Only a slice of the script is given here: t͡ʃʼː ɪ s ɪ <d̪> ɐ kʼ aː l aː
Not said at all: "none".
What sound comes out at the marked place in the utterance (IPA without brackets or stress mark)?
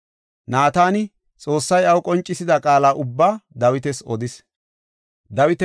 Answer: d̪